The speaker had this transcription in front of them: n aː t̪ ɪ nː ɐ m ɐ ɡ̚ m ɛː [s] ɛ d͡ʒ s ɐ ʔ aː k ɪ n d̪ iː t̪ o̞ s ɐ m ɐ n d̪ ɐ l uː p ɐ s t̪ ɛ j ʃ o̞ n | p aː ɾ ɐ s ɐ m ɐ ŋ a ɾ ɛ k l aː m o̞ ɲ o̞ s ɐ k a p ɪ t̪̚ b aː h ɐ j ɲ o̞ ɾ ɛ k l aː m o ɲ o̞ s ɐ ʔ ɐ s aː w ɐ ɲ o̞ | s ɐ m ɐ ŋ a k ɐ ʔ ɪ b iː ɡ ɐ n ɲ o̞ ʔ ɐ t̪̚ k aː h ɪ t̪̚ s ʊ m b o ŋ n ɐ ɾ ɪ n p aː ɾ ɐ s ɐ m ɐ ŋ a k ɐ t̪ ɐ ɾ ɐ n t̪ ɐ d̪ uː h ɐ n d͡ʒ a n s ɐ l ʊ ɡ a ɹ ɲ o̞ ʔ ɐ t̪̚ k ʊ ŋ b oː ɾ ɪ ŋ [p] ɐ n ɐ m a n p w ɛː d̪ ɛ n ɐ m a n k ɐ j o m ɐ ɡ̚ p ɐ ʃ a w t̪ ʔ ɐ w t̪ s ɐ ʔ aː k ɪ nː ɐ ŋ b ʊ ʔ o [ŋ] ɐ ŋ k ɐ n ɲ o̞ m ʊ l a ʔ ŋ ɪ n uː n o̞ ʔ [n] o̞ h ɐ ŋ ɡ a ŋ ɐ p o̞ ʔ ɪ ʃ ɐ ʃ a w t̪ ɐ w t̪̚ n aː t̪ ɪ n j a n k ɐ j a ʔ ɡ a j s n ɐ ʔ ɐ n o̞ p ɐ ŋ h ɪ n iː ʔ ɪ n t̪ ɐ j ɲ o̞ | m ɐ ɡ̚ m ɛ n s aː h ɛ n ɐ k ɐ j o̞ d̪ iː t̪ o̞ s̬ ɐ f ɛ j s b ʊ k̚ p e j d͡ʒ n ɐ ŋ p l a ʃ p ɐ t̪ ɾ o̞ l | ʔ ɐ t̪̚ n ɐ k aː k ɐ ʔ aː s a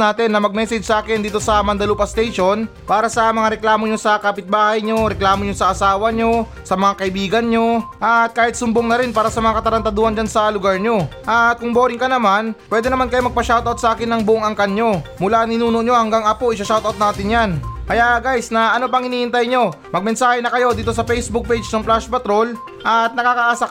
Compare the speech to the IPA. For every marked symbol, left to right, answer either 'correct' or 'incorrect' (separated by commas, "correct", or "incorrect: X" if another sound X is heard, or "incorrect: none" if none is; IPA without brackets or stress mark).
correct, incorrect: k, correct, incorrect: ɲ